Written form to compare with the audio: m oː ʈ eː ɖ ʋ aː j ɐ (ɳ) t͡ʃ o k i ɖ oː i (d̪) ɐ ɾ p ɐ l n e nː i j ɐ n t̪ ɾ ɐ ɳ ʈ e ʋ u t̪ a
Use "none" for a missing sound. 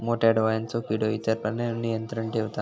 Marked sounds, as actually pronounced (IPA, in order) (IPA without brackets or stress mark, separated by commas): n, t̪